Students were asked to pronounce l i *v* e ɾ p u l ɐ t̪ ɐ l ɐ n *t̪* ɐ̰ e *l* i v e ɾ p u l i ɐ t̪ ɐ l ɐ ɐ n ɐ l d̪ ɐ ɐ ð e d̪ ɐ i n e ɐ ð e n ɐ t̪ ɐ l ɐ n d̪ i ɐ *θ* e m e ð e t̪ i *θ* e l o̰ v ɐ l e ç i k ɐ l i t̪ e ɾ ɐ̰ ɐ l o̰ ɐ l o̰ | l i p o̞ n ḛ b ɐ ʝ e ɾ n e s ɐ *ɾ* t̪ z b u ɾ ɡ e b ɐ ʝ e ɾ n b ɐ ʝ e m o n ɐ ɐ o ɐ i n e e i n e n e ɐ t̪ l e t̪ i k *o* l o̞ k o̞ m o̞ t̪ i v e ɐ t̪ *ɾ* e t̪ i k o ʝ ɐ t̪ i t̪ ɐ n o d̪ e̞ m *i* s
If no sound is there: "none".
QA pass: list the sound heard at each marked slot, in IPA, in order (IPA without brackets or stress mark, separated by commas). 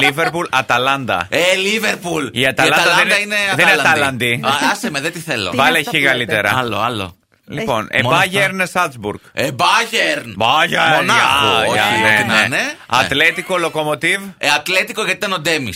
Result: v, d̪, l, s, θ, l, o, l, i